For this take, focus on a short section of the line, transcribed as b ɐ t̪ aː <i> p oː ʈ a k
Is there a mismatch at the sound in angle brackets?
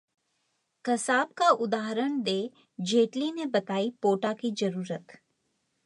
no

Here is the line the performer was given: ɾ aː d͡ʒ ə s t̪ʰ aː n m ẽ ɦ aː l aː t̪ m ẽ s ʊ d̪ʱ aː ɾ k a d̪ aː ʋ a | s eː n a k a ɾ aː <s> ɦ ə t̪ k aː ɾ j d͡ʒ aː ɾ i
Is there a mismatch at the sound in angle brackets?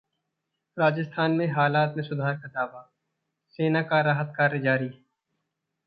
yes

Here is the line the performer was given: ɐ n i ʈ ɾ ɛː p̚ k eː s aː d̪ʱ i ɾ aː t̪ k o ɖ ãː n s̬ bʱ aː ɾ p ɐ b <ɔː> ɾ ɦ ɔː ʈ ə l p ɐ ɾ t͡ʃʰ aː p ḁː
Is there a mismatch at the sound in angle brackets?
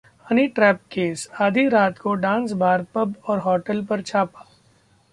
no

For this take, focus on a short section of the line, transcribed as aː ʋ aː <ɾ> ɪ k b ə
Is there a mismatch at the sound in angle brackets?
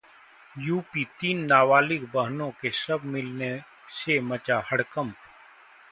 yes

